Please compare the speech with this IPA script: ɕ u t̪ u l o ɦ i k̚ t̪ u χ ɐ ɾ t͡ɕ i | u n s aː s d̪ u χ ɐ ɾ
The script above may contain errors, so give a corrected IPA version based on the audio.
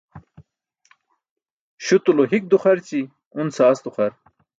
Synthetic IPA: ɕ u t̪ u l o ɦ i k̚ d̪ u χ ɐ ɾ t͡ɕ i | u n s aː s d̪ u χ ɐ ɾ